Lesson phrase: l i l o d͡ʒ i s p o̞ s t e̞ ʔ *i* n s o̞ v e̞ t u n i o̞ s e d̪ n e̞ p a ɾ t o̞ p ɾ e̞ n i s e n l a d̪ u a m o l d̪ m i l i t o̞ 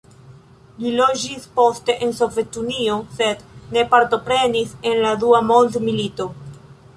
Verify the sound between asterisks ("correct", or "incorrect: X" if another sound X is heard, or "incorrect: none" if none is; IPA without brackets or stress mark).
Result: incorrect: e